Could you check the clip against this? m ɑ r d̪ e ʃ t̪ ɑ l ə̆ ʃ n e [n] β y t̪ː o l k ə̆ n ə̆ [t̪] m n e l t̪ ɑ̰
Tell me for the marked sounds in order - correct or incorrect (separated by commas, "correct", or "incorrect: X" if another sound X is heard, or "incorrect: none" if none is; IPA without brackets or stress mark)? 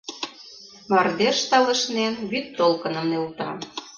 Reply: correct, incorrect: none